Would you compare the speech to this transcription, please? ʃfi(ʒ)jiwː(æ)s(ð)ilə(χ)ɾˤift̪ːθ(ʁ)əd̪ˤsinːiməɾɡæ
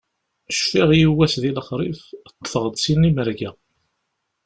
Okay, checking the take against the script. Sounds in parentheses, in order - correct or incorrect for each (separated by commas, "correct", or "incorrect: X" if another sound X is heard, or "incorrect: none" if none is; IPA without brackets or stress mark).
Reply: incorrect: ʁ, correct, correct, correct, correct